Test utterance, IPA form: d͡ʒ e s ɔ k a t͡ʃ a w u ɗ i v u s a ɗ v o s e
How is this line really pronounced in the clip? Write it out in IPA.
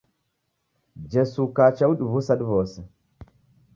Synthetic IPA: d͡ʒ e s u k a t͡ʃ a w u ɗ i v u s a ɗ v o s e

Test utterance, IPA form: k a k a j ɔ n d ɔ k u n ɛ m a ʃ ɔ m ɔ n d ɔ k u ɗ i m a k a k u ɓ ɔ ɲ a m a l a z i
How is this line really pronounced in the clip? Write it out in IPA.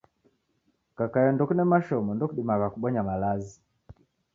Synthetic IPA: k a k a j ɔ n d ɔ k u n ɛ m a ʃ ɔ m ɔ n d ɔ k u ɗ i m a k a k u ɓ ɔ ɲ a m a l a z i

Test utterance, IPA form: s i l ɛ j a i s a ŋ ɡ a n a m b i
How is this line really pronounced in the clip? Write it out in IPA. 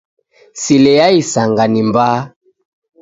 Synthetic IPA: s i l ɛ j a i s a ŋ ɡ a n i m b a

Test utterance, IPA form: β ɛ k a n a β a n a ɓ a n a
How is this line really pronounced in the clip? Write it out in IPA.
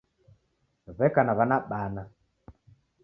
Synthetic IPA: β ɛ k a n a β a n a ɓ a n a

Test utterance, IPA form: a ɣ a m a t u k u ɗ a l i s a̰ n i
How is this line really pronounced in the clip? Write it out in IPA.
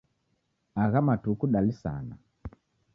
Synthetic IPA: a ɣ a m a t u k u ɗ a l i s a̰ n a

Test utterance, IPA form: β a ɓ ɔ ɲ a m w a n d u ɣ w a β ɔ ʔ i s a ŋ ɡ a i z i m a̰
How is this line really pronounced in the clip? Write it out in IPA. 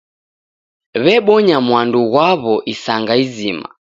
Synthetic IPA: β ɛ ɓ ɔ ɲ a m w a n d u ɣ w a β ɔ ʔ i s a ŋ ɡ a i z i m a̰

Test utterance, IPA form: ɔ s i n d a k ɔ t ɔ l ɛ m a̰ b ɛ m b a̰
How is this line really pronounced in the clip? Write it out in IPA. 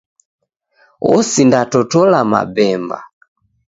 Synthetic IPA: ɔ s i n d a t ɔ t ɔ l a m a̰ b ɛ m b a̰

